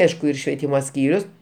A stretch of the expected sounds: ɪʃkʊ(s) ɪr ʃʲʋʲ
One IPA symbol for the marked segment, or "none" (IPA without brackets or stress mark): none